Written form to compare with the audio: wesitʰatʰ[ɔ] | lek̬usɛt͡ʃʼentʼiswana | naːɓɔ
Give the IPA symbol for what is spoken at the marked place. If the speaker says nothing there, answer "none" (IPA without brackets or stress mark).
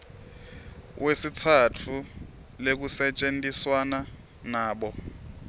u